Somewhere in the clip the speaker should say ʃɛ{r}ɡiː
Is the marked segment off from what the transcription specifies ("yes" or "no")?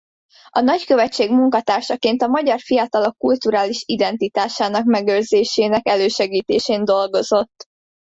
yes